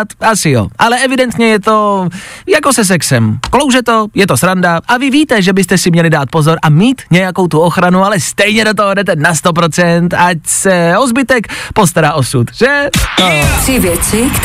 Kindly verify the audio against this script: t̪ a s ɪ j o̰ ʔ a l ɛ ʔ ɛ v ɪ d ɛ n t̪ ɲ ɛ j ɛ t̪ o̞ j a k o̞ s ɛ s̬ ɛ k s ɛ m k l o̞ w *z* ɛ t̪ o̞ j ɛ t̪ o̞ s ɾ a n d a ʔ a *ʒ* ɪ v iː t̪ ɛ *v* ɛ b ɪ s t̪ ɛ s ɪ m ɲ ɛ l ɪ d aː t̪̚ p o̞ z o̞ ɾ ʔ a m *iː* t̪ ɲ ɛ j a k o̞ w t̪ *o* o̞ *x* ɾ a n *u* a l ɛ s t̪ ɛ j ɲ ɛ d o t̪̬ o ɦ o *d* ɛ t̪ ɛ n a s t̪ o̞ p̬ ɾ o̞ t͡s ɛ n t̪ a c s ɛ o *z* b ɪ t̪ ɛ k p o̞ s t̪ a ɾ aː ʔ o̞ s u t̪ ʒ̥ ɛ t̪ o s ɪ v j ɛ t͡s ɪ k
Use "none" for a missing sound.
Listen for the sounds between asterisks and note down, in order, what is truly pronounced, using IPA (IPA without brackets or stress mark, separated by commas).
ʒ, v, ʒ, iː, u, x, u, d, z